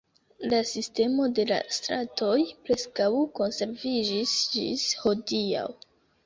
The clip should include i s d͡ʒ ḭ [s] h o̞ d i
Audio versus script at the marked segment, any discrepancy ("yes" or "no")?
no